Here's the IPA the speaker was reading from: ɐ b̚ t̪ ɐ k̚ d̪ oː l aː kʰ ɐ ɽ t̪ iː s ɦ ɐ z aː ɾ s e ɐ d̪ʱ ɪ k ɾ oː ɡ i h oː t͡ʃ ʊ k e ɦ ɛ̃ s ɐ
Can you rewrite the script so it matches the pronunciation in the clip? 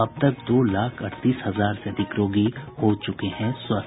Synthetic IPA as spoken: ɐ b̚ t̪ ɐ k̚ d̪ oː l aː kʰ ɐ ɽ t̪ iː s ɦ ɐ z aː ɾ s e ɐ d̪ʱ ɪ k ɾ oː ɡ i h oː t͡ʃ ʊ k e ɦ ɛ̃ s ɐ